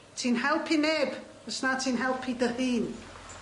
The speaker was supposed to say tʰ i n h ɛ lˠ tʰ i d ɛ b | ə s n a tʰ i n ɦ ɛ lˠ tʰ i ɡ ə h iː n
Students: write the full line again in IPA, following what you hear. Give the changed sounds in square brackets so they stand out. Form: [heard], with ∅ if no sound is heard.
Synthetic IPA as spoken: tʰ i n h ɛ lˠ [pʰ] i [n] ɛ b | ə s n a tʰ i n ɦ ɛ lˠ [pʰ] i [d] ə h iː n